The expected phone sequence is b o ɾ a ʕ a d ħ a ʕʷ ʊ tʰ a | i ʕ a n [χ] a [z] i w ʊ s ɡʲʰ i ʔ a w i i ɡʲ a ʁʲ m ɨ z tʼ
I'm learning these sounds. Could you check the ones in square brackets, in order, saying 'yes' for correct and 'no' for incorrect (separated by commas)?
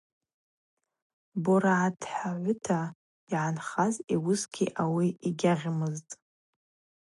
yes, yes